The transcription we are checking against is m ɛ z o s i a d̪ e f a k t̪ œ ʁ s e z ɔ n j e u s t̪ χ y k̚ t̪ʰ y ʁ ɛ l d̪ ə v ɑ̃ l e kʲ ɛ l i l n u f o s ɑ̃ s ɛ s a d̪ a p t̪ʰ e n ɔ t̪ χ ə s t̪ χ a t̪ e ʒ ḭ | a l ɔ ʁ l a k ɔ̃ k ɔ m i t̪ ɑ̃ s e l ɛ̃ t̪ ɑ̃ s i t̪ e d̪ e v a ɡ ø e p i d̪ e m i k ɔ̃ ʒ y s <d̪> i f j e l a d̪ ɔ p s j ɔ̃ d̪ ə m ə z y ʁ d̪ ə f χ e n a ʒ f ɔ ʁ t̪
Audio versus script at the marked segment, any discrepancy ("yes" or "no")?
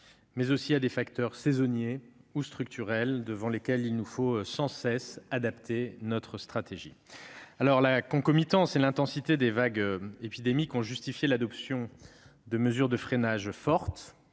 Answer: yes